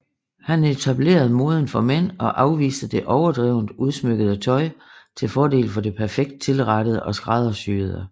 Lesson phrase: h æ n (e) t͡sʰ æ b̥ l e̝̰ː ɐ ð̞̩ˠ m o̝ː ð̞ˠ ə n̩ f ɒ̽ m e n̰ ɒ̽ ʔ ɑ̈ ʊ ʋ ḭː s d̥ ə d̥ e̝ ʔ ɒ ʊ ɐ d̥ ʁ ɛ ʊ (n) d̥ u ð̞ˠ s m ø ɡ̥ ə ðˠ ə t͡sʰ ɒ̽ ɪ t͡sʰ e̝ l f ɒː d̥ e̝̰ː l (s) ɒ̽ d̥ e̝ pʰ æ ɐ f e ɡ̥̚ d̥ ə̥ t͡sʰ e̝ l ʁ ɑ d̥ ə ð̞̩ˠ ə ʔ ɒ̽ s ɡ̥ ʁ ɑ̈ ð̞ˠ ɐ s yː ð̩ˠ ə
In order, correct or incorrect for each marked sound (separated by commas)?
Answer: correct, correct, incorrect